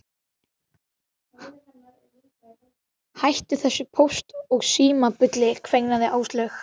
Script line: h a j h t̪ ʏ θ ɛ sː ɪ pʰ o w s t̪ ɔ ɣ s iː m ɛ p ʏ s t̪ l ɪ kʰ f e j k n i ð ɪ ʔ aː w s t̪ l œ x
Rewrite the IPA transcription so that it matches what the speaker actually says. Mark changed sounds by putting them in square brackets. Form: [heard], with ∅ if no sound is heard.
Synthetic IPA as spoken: h a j h t̪ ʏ θ ɛ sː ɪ pʰ o w s t̪ ɔ ɣ s iː m [a] p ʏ [∅] t̪ l ɪ kʰ [v] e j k n [a] ð ɪ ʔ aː w s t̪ l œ x